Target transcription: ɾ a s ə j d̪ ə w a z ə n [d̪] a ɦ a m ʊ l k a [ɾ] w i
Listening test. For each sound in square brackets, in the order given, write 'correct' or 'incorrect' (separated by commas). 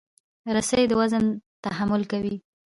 incorrect, incorrect